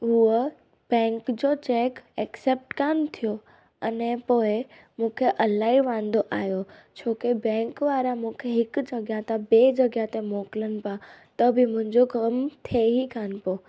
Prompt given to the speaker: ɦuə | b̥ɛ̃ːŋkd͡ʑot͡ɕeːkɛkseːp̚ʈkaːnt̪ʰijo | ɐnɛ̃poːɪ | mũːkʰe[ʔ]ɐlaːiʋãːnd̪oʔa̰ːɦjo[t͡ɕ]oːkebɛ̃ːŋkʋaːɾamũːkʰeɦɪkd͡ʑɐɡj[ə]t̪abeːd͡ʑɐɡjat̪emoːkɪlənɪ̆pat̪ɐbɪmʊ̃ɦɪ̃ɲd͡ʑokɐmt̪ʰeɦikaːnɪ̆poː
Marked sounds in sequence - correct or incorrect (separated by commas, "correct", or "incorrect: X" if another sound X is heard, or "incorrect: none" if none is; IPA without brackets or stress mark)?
correct, incorrect: t͡ɕʰ, incorrect: a